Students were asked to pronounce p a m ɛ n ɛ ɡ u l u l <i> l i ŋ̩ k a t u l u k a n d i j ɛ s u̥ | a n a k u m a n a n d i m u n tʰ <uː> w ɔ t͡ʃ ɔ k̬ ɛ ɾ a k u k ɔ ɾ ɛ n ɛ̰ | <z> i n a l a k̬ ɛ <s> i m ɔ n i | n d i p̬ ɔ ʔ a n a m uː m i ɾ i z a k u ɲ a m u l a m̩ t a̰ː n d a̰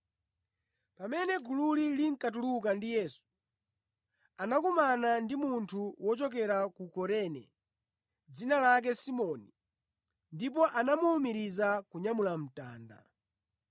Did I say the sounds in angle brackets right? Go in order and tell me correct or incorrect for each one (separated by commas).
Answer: correct, incorrect, incorrect, correct